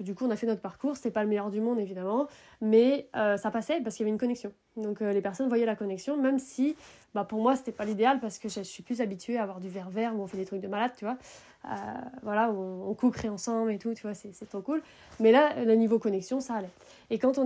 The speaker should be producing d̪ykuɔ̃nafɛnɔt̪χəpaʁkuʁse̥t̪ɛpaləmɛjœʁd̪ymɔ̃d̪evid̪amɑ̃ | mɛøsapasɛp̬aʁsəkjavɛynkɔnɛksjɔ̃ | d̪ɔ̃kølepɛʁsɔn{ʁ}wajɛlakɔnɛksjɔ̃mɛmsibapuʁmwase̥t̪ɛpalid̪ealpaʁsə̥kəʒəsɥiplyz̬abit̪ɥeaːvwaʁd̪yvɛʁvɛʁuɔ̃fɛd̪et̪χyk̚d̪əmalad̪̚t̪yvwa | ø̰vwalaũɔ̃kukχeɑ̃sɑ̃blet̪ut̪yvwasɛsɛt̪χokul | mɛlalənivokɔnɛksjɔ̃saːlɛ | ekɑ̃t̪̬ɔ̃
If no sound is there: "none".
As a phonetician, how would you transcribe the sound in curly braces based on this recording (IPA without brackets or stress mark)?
v